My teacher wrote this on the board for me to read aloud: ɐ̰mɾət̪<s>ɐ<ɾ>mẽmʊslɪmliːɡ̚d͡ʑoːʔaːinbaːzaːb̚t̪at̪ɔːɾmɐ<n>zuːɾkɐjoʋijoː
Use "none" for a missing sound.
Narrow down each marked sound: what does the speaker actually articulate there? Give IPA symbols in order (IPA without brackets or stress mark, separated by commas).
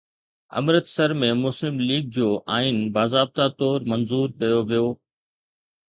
s, ɾ, n